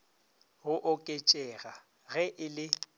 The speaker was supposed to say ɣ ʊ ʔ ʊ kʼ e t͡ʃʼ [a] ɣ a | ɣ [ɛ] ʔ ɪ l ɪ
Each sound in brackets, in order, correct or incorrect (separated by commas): incorrect, correct